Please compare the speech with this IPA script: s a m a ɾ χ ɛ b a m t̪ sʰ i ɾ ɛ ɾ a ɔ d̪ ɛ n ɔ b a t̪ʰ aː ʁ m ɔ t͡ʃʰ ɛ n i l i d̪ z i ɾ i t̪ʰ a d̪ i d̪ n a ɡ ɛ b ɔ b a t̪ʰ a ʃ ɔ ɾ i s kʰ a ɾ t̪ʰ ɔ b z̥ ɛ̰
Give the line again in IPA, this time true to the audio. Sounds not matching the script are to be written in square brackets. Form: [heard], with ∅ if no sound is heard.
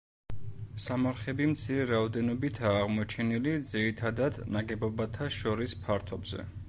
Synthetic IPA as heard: s a m a ɾ χ ɛ b [i] m t̪ sʰ i ɾ ɛ ɾ a ɔ d̪ ɛ n ɔ b [i] t̪ʰ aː ʁ m ɔ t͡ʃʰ ɛ n i l i d̪ z i ɾ i t̪ʰ a d̪ [a] d̪ n a ɡ ɛ b ɔ b a t̪ʰ a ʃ ɔ ɾ i s [pʰ] a ɾ t̪ʰ ɔ b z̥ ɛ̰